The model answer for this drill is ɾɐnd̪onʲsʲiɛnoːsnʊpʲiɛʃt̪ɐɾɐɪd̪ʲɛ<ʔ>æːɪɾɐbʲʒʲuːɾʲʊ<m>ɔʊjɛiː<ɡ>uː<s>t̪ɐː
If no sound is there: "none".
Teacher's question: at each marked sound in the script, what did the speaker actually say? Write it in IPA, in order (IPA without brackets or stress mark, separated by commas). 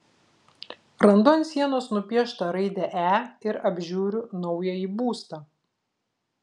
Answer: ʔ, n, b, s